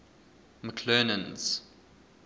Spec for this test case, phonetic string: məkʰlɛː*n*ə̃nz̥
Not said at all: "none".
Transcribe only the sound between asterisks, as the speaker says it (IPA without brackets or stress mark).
n